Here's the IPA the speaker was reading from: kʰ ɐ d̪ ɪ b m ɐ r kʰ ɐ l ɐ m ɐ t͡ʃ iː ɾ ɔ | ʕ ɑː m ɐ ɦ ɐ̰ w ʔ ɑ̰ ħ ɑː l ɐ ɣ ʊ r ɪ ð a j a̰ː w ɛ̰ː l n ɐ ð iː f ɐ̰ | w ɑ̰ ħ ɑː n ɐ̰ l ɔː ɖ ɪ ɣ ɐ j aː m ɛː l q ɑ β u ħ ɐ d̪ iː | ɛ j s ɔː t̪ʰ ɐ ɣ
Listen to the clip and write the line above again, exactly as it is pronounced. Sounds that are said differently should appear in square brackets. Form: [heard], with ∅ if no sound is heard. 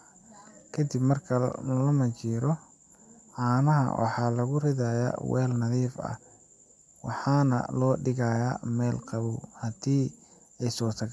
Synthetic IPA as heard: kʰ ɐ d̪ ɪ b m ɐ r kʰ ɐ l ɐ m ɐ t͡ʃ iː ɾ ɔ | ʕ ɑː [n] ɐ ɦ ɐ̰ w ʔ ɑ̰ ħ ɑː l ɐ ɣ ʊ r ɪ ð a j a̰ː w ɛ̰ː l n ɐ ð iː f ɐ̰ | w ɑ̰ ħ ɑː n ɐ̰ l ɔː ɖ ɪ ɣ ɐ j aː m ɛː l q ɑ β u [h] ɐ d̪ iː | ɛ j s ɔː t̪ʰ ɐ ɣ